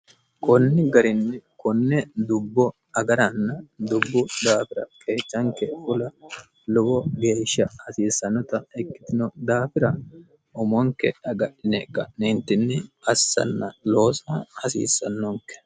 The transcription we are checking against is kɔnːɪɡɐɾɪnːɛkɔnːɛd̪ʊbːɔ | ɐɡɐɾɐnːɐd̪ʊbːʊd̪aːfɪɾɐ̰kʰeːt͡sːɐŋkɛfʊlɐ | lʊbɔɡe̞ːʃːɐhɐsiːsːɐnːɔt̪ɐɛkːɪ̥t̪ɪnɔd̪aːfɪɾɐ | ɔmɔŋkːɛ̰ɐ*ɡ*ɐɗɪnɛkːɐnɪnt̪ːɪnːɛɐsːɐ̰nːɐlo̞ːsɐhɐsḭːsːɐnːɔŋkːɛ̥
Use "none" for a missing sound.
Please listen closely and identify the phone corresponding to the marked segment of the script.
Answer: ɡ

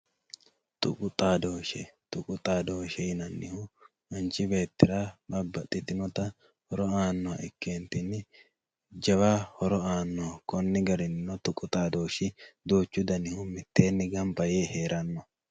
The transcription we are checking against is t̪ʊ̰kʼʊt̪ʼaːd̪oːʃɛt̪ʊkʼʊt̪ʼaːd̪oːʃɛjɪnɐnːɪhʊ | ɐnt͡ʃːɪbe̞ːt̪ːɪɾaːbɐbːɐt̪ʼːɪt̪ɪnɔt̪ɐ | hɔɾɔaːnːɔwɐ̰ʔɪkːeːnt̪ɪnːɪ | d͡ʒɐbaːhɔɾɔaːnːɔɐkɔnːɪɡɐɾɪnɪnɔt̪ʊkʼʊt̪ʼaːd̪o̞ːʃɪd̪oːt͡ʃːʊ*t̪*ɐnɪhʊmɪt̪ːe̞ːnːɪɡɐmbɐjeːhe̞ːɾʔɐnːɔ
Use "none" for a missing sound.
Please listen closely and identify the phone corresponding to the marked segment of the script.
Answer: d̪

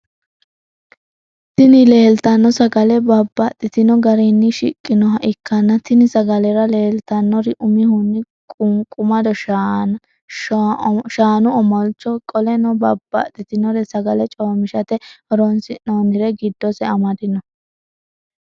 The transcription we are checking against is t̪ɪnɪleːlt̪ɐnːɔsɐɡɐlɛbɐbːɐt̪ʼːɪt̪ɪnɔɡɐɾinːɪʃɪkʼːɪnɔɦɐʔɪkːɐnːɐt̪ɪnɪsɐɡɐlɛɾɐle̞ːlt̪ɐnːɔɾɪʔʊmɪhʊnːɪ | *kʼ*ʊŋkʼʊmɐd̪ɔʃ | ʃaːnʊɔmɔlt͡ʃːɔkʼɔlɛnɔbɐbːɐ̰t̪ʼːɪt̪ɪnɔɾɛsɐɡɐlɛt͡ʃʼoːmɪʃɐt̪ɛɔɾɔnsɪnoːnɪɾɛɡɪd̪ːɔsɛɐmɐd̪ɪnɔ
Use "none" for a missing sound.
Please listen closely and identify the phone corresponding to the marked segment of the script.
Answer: kʼ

